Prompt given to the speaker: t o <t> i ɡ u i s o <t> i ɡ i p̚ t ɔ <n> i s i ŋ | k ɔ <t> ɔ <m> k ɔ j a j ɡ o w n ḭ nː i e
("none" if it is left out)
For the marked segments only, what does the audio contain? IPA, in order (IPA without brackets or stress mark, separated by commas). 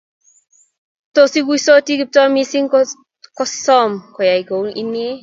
s, t, m, s, m